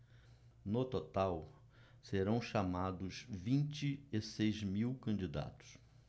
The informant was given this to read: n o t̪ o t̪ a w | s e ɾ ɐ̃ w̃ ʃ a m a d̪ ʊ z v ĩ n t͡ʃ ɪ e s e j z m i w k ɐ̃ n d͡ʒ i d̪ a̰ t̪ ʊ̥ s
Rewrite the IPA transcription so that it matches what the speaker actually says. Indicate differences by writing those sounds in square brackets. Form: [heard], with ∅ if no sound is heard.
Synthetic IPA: n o t̪ o t̪ a w | s e ɾ ɐ̃ w̃ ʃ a m a d̪ ʊ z v ĩ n t͡ʃ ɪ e s e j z m i w k ɐ̃ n d͡ʒ i d̪ a̰ t̪ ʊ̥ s

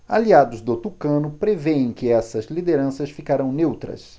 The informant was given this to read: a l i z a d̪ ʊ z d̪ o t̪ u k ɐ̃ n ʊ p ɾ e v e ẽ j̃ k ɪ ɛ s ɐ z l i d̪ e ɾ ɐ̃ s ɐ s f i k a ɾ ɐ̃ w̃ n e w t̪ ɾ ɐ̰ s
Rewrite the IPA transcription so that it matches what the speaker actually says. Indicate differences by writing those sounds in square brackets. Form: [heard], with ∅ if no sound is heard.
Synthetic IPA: a l i [∅] a d̪ ʊ z d̪ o t̪ u k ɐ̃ n ʊ p ɾ e v e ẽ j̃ k ɪ ɛ s ɐ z l i d̪ e ɾ ɐ̃ s ɐ s f i k a ɾ ɐ̃ w̃ n e w t̪ ɾ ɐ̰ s

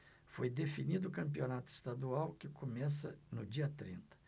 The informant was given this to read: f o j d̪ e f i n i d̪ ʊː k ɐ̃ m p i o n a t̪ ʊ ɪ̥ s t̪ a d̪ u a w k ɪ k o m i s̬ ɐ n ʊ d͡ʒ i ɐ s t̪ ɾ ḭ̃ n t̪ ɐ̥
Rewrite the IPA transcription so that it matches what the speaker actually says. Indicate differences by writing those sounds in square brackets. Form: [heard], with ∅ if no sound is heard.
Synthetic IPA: f o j d̪ e f i n i d̪ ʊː k ɐ̃ m p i o n a t̪ ʊ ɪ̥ s t̪ a d̪ u a w k ɪ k o m [ɛ] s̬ ɐ n ʊ d͡ʒ i ɐ [∅] t̪ ɾ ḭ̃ n t̪ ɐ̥

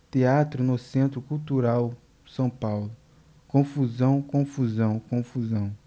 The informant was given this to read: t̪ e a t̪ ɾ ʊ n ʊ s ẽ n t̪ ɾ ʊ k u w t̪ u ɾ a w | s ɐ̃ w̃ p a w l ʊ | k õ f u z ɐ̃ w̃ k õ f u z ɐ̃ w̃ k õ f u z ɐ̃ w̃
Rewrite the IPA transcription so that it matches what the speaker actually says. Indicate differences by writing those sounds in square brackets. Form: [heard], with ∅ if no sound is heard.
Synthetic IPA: t̪ e a t̪ ɾ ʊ n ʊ s ẽ n t̪ ɾ ʊ k u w t̪ u ɾ a w | s ɐ̃ w̃ p a w l ʊ | k õ f u z ɐ̃ w̃ k õ f u z ɐ̃ w̃ k õ f u z ɐ̃ w̃

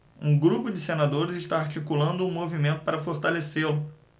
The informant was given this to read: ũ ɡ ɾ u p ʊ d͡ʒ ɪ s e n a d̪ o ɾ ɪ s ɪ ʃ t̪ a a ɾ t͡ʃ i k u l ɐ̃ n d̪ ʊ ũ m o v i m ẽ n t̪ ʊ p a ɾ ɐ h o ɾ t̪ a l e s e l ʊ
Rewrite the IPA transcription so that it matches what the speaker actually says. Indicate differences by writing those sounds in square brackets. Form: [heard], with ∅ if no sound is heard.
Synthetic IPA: ũ ɡ ɾ u p ʊ d͡ʒ ɪ s e n a d̪ o ɾ ɪ [z] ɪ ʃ t̪ a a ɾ t͡ʃ i k u l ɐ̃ n d̪ ʊ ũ m o v i m ẽ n t̪ ʊ p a ɾ ɐ [f] o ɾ t̪ a l e s e l ʊ

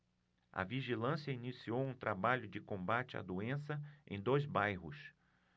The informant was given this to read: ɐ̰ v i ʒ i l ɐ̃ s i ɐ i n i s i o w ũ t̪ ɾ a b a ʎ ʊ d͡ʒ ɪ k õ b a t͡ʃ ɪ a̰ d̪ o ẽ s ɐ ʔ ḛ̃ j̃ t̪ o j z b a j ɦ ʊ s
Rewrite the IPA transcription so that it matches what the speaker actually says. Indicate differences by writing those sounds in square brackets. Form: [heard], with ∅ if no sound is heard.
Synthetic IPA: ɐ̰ v i ʒ i l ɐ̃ s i ɐ i n i s i o w ũ t̪ ɾ a b a ʎ ʊ d͡ʒ ɪ k õ b a t͡ʃ ɪ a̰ d̪ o ẽ s ɐ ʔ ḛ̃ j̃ [d̪] o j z b a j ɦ ʊ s

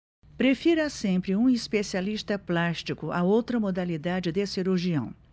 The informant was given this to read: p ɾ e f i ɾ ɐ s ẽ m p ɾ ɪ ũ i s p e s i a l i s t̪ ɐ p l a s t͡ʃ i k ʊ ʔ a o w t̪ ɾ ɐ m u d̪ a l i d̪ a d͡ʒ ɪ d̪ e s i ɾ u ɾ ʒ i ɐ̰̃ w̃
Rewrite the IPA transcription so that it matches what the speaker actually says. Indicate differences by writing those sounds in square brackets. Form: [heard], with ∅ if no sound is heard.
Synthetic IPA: p ɾ e f i ɾ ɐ s ẽ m p ɾ ɪ ũ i s p e s i a l i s t̪ ɐ p l a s t͡ʃ i k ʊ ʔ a o w t̪ ɾ ɐ m [o] d̪ a l i d̪ a d͡ʒ ɪ d̪ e s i ɾ u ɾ ʒ i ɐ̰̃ w̃

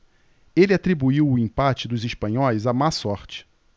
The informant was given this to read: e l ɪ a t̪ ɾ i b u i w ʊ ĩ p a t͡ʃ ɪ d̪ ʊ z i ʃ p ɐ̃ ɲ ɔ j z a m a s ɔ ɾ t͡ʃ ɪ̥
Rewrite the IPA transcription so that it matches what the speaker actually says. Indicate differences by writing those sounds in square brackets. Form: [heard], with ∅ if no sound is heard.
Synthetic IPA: e l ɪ a t̪ ɾ i b u i w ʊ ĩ p a t͡ʃ ɪ d̪ ʊ z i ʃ p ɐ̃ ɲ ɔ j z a m a s ɔ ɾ t͡ʃ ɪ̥

